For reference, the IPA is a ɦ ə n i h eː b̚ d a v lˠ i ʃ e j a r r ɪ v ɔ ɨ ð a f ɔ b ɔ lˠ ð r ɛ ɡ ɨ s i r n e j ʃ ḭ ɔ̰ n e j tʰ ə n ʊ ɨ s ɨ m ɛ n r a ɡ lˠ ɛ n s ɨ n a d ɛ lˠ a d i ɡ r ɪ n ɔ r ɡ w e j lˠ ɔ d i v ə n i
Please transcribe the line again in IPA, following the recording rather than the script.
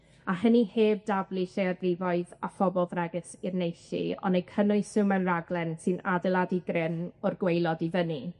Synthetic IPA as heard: a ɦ ə n i h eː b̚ d a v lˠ i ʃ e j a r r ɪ v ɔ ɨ ð a f ɔ b ɔ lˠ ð r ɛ ɡ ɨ s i r n e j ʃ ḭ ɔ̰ n e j kʰ ə n ʊ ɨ s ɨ m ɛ n r a ɡ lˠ ɛ n s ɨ n a d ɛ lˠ a d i ɡ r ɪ n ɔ r ɡ w e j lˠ ɔ d i v ə n i